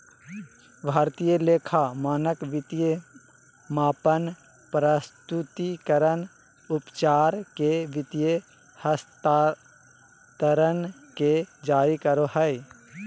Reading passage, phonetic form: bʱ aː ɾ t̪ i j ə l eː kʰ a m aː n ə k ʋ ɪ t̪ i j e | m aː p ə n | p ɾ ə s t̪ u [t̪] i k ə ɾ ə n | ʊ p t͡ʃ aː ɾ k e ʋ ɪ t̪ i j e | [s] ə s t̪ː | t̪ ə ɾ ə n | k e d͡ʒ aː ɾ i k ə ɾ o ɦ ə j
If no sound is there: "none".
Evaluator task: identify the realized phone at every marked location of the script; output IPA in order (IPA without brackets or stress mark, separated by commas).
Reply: t̪, h